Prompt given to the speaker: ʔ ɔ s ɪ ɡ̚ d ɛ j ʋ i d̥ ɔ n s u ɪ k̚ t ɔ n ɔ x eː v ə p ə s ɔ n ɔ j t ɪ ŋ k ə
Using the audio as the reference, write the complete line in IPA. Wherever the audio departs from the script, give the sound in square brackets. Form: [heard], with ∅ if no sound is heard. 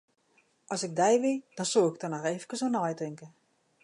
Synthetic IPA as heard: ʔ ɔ s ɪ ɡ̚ d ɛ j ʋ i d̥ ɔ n s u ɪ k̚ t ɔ n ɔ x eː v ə [k] ə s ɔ n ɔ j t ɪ ŋ k ə